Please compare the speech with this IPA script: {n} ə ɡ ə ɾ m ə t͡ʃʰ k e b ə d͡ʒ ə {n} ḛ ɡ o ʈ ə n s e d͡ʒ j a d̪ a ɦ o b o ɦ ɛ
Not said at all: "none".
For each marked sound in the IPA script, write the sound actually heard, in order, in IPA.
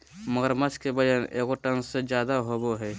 m, n

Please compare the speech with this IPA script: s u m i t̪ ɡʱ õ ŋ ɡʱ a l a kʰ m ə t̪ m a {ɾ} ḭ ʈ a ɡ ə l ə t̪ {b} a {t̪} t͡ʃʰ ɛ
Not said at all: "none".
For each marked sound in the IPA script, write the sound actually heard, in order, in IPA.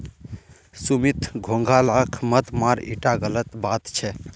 ɾ, b, t̪

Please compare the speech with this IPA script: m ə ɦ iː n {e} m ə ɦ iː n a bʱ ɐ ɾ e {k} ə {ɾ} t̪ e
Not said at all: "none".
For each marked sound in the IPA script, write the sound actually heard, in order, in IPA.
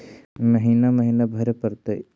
a, p, ɾ

